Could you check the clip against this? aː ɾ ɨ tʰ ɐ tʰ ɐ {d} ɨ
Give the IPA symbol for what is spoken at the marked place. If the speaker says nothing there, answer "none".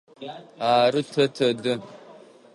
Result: d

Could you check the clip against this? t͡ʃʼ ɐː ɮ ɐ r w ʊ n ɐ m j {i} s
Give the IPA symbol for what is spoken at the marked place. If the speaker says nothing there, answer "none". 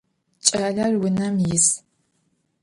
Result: ɪ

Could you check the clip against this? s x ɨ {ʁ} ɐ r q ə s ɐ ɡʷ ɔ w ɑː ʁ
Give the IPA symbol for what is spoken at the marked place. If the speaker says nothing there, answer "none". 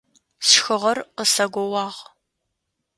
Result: ʁ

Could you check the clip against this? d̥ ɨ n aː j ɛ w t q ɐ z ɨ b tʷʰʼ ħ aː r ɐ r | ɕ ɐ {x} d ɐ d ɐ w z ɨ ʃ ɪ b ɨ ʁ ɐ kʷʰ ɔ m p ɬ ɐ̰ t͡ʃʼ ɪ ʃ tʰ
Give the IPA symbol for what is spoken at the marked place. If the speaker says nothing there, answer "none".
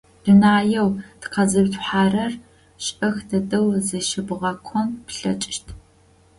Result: x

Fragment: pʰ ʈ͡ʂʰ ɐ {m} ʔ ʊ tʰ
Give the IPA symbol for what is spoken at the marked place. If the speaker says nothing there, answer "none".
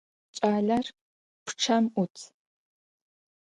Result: m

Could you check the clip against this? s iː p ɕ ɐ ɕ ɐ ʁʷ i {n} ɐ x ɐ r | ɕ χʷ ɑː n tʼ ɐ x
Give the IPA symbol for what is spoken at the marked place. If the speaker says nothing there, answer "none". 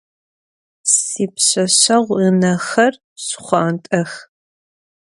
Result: n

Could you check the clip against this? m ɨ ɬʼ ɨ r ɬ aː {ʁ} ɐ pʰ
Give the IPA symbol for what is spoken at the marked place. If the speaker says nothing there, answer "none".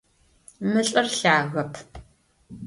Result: ɣ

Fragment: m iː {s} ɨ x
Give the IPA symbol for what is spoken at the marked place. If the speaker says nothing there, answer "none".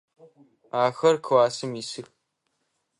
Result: s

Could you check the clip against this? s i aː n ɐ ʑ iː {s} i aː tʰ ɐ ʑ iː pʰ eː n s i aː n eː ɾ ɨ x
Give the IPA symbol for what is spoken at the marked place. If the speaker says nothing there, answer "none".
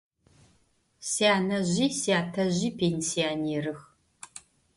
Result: s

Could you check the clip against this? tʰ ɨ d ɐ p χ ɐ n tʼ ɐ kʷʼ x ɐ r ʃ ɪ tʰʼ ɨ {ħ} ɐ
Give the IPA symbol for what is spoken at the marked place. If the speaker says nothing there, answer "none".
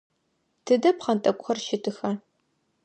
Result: x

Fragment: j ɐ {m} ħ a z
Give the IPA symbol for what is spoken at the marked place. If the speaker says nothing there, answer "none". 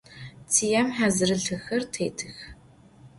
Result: m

